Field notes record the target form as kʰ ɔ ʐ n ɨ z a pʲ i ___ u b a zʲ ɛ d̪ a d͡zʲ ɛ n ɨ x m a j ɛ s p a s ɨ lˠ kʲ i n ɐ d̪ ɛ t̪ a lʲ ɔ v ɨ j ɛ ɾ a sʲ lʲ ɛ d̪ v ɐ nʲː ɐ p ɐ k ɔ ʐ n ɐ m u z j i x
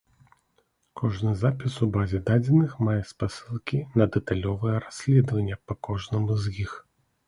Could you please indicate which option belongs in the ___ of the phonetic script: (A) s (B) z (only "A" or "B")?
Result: A